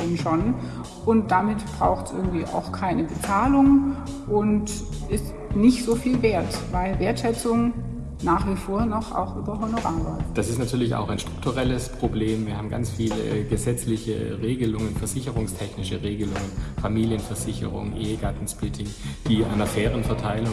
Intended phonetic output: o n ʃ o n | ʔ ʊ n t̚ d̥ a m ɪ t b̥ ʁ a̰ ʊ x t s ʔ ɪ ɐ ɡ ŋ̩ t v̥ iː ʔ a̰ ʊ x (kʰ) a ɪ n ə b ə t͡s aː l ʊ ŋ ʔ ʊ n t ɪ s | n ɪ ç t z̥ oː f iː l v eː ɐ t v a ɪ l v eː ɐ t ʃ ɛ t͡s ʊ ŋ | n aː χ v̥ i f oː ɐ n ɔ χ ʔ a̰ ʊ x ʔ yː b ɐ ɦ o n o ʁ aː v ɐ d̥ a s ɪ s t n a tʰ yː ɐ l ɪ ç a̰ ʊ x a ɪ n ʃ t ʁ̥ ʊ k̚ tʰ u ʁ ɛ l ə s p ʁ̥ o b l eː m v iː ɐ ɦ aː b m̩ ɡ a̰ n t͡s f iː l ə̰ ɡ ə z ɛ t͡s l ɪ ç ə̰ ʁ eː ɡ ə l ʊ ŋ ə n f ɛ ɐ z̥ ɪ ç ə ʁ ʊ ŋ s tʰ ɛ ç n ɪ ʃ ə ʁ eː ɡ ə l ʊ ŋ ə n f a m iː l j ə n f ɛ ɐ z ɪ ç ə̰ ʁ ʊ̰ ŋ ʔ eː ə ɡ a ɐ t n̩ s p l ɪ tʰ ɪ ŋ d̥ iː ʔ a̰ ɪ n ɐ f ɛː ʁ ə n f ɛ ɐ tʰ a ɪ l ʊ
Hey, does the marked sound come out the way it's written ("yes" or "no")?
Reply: yes